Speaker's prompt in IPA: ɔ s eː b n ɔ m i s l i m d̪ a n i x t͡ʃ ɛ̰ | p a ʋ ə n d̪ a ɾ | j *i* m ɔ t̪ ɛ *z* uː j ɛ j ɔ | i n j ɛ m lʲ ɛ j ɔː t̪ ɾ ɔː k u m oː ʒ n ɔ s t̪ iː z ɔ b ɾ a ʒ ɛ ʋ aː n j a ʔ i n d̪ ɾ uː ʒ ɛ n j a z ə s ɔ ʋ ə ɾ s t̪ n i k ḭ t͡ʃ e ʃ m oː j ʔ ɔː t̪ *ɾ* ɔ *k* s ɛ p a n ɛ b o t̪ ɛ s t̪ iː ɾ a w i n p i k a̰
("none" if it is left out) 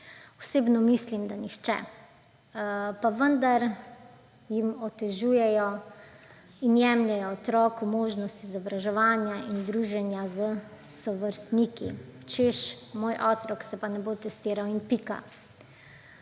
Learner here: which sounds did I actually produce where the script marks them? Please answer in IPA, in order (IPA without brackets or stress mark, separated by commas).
i, ʒ, ɾ, k